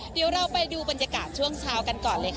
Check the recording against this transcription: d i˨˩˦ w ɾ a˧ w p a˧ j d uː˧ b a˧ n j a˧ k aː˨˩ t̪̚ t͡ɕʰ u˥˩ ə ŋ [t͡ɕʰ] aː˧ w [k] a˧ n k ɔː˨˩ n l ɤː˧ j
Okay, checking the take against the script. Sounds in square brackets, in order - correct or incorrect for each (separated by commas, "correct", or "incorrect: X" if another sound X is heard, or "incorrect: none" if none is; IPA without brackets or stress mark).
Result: correct, correct